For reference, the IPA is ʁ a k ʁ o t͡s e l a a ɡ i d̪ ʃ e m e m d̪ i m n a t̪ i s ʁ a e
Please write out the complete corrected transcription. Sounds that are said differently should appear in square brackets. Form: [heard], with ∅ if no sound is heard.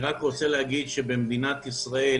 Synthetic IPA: ʁ a k ʁ o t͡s e l [e] a ɡ i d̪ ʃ e [b] e m d̪ i [∅] n a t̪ i s ʁ a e